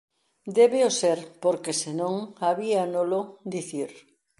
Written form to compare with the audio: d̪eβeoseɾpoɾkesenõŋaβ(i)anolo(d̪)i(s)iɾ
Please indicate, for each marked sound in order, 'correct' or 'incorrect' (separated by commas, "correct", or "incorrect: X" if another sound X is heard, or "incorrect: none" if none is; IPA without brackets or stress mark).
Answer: correct, correct, incorrect: θ